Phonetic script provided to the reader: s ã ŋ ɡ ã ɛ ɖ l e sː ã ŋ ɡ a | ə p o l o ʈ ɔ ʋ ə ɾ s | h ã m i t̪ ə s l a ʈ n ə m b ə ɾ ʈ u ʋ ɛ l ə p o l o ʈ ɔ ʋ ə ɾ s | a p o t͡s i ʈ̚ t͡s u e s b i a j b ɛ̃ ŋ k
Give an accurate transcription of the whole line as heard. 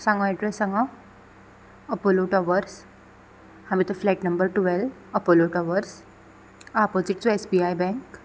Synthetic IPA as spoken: s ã ŋ ɡ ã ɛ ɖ ɾ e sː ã ŋ ɡ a | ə p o l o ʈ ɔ ʋ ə ɾ s | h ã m i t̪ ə f l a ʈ n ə m b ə ɾ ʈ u ʋ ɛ l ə p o l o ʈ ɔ ʋ ə ɾ s | a p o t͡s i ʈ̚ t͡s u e s b i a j b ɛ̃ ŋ k

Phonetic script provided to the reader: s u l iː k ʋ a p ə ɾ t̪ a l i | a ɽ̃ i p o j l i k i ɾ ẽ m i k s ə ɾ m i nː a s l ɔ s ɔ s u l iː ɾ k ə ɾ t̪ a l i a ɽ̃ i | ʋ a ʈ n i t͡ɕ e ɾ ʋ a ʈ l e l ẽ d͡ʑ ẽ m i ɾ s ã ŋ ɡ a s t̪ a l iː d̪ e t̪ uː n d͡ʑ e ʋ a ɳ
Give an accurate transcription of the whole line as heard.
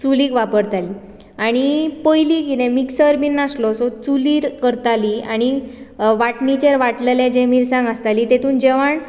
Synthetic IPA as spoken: t͡s u l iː k ʋ a p ə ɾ t̪ a l i | a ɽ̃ i p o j l i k i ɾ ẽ m i k s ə ɾ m i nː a s l ɔ s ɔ t͡s u l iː ɾ k ə ɾ t̪ a l i a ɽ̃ i | ʋ a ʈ n i t͡ɕ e ɾ ʋ a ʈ l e l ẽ d͡ʑ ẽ m i ɾ s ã ŋ ɡ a s t̪ a l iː t̪ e t̪ uː n d͡ʑ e ʋ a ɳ

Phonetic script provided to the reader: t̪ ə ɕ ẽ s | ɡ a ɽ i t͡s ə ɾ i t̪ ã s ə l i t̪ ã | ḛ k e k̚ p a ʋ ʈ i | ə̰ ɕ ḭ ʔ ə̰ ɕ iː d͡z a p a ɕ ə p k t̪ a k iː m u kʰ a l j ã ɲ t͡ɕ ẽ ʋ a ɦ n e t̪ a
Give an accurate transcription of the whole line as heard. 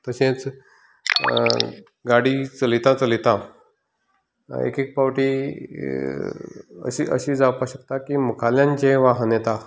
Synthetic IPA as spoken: t̪ ə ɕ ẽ t͡s | ɡ a ɽ i t͡s ə l i t̪ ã t͡s ə l i t̪ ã | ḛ k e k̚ p a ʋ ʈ i | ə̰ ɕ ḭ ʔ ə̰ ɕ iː d͡z a p a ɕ ə k t̪ a k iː m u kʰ a l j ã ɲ t͡ɕ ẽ ʋ a ɦ n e t̪ a

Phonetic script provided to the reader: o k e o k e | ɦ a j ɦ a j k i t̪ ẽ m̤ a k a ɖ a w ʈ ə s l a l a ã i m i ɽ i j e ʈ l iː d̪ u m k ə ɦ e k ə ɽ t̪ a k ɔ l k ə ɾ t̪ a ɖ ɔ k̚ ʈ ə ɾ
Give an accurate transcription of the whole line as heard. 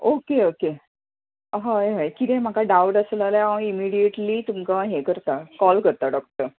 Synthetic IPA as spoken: o k e o k e | ɦ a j ɦ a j k i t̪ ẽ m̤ a k a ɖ a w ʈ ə s l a l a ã i m i ɽ i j e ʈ l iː t̪ u m k a ɦ e k ə ɾ t̪ a k ɔ l k ə ɾ t̪ a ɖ ɔ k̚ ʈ ə ɾ

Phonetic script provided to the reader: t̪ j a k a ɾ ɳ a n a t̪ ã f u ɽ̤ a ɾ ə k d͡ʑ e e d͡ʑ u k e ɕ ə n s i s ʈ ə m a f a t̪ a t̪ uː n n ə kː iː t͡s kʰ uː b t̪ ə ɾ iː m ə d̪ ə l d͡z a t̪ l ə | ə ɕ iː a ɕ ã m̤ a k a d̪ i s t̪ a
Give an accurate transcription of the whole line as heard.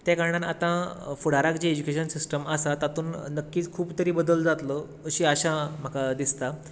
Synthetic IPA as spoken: t̪ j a k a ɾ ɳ a n a t̪ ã f u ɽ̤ a ɾ a k d͡ʑ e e d͡ʑ u k e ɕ ə n s i s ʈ ə m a s a t̪ a t̪ uː n n ə kː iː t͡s kʰ uː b t̪ ə ɾ iː b ə d̪ ə l d͡z a t̪ l ə | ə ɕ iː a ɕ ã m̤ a k a d̪ i s t̪ a

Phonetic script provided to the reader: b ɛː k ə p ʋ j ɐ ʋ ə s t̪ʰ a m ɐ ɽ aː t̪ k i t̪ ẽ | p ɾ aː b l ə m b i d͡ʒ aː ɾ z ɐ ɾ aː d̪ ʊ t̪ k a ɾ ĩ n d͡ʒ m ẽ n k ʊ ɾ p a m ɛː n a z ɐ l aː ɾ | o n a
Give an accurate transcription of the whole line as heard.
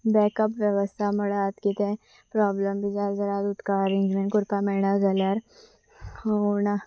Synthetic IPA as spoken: b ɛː k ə p ʋ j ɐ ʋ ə s t̪ʰ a m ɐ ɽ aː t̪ k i t̪ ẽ | p ɾ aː b l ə m b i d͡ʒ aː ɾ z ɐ ɾ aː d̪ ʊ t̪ k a ɾ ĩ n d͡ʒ m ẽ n k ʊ ɾ p a m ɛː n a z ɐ l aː ɾ | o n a

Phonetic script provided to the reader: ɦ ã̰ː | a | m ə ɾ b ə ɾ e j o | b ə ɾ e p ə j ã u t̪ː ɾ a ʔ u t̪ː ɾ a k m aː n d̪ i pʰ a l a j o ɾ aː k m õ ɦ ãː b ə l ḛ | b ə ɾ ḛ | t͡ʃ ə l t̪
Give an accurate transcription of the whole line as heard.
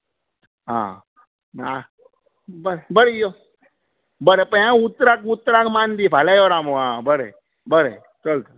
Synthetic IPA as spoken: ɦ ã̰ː | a | b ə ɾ b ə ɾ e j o | b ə ɾ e p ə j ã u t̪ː ɾ a k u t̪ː ɾ a k m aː n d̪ i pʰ a l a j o ɾ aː m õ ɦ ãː b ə ɾ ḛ | b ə ɾ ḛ | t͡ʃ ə l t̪

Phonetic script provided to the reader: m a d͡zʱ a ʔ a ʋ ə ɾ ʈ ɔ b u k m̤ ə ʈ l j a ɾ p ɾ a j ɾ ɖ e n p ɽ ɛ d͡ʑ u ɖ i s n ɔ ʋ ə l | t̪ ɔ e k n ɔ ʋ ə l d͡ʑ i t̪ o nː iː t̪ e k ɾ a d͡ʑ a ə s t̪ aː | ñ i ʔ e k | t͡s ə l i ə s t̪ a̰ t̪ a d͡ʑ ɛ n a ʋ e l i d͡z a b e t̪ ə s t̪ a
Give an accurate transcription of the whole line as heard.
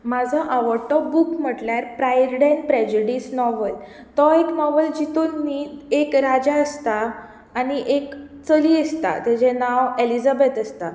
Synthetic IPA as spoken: m a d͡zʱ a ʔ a ʋ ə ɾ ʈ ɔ b u k m̤ ə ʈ l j a ɾ p ɾ a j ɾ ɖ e n p ɾ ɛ d͡ʑ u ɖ i s n ɔ ʋ ə l | t̪ ɔ e k n ɔ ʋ ə l d͡ʑ i t̪ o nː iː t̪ e k ɾ a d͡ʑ a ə s t̪ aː | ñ i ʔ e k | t͡s ə l i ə s t̪ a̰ t̪ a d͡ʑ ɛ n a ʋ e l i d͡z a b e t̪ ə s t̪ a

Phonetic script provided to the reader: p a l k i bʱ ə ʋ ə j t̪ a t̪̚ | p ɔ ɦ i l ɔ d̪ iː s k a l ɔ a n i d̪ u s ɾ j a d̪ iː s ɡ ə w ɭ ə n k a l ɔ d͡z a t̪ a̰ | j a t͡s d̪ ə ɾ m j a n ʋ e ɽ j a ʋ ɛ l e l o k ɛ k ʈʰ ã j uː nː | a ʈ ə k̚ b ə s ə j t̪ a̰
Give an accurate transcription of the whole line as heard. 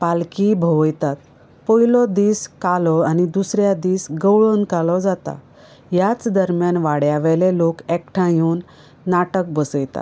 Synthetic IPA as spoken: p a l k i bʱ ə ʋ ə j t̪ a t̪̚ | p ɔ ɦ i l ɔ d̪ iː s k a l ɔ a n i d̪ u s ɾ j a d̪ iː s ɡ ə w ɭ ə n k a l ɔ d͡z a t̪ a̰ | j a t͡s d̪ ə ɾ m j a n ʋ a ɽ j a ʋ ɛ l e l o k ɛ k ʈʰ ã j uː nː | a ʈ ə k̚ b ə s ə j t̪ a̰

